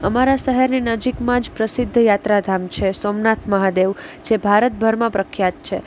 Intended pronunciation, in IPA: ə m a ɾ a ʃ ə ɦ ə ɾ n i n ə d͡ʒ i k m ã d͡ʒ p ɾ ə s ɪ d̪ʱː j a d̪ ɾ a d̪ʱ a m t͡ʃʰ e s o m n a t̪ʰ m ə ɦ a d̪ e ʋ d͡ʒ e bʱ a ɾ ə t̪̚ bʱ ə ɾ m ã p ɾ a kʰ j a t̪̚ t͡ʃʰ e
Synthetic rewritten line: ə m a ɾ a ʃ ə ɦ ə ɾ n i n ə d͡ʒ i k m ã d͡ʒ p ɾ ə s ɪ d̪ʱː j a t̪ ɾ a d̪ʱ a m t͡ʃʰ e s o m n a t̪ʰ m ə ɦ a d̪ e ʋ d͡ʒ e bʱ a ɾ ə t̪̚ bʱ ə ɾ m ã p ɾ ə kʰ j a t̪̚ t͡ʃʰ e